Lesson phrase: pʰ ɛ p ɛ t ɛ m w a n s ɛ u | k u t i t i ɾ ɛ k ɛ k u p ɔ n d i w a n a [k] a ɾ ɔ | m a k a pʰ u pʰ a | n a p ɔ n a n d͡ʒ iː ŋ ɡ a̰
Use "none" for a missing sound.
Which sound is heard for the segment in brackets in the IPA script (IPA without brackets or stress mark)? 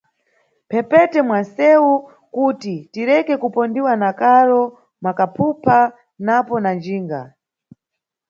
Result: k